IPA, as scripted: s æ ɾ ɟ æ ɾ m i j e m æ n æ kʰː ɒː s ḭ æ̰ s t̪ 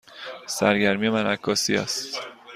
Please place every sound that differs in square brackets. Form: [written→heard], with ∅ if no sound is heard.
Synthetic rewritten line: s æ ɾ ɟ æ ɾ m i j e m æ n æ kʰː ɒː s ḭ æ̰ s t̪